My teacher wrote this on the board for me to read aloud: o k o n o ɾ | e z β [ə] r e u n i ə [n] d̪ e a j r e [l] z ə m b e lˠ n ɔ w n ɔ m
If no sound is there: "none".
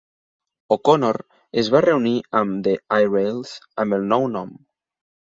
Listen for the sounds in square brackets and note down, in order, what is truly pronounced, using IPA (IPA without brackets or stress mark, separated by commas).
a, m, l